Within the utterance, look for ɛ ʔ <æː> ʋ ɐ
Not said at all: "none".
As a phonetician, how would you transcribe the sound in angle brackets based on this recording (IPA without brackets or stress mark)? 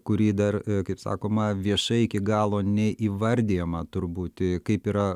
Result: iː